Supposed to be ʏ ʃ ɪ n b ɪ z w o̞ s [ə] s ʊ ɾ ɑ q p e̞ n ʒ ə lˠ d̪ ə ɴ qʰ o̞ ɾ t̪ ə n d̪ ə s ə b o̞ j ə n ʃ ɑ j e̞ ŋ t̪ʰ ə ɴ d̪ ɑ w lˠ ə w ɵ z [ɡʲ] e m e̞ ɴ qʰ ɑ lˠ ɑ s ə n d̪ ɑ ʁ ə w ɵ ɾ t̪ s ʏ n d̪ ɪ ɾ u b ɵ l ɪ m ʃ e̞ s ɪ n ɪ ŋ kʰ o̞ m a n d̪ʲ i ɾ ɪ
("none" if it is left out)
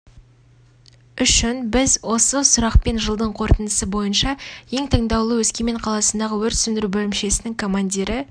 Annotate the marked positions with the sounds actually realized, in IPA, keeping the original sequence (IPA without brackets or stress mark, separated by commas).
ə, kʲ